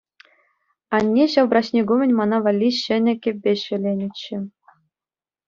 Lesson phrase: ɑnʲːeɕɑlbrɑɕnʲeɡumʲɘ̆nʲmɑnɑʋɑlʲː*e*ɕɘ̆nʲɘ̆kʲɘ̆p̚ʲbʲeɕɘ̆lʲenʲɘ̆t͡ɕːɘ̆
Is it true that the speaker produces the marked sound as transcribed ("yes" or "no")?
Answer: no